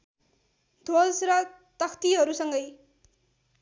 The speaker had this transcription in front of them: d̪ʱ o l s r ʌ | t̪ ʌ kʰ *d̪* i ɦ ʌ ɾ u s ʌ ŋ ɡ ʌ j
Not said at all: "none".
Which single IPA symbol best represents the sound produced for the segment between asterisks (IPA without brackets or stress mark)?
t̪